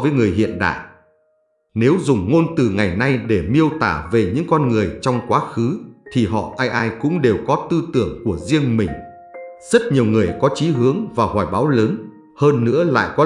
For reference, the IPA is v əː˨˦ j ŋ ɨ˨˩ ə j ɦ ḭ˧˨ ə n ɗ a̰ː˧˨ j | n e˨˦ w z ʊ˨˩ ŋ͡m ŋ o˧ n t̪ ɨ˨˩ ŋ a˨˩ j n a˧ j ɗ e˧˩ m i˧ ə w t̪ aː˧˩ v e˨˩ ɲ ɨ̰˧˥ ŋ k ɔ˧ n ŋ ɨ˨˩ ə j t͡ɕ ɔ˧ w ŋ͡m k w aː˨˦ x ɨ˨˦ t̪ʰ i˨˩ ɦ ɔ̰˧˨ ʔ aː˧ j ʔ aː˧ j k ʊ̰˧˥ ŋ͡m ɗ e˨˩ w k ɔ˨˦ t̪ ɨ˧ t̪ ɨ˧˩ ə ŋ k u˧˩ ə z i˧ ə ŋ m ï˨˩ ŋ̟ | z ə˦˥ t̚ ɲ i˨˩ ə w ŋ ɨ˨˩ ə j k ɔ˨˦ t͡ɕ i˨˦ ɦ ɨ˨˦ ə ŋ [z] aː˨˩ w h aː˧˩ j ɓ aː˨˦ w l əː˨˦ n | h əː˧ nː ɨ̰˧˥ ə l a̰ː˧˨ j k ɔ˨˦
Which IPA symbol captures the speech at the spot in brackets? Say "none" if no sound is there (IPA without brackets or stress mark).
v